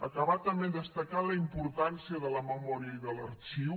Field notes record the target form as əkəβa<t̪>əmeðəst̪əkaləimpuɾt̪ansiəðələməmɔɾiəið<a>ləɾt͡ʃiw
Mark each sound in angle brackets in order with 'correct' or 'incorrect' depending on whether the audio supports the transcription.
correct, incorrect: ə

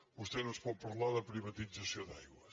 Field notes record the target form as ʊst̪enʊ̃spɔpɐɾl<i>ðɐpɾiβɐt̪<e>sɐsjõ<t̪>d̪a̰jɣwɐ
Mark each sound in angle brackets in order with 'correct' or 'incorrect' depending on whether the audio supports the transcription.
incorrect: a, incorrect: i, incorrect: none

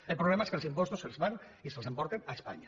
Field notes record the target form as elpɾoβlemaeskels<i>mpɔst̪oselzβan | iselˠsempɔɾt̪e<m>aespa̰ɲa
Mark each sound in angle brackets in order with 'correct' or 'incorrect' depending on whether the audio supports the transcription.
correct, incorrect: n

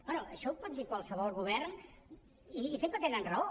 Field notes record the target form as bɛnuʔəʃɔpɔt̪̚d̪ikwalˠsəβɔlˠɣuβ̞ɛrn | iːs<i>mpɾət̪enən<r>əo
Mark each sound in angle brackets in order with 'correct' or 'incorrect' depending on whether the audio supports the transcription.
incorrect: e, correct

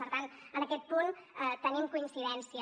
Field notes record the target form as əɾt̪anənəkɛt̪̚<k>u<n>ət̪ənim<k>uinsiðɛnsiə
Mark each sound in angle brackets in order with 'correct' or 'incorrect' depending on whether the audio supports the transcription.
incorrect: p, correct, correct

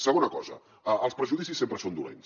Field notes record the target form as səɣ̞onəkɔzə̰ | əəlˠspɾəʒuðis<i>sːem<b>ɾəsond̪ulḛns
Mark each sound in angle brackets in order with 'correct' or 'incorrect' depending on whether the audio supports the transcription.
correct, incorrect: p

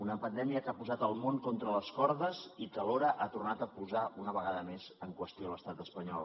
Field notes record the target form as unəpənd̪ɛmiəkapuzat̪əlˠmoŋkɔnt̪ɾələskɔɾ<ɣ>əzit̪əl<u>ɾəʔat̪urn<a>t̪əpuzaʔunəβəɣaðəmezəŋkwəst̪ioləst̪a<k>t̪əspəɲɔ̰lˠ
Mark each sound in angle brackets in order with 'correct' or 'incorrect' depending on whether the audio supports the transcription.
incorrect: ð, incorrect: o, correct, incorrect: none

